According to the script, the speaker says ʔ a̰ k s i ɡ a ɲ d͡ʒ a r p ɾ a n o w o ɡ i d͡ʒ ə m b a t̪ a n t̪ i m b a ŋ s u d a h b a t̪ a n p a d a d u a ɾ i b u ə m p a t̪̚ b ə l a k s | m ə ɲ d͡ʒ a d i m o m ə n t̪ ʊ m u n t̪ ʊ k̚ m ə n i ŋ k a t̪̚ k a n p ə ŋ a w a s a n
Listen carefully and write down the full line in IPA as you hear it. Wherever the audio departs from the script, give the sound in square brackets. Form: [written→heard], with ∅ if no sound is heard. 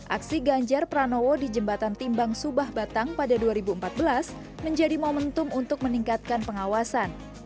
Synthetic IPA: ʔ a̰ k s i ɡ a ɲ d͡ʒ a r p ɾ a n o w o [ɡ→d] i d͡ʒ ə m b a t̪ a n t̪ i m b a ŋ s u [d→b] a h b a t̪ a [n→ŋ] p a d a d u a ɾ i b u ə m p a t̪̚ b ə l a [k→∅] s | m ə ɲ d͡ʒ a d i m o m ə n t̪ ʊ m u n t̪ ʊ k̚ m ə n i ŋ k a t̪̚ k a n p ə ŋ a w a s a n